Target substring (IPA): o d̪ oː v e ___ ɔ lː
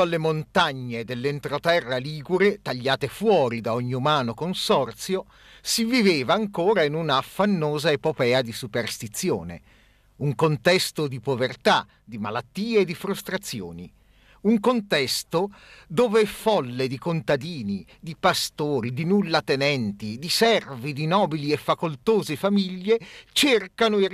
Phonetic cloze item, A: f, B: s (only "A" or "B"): A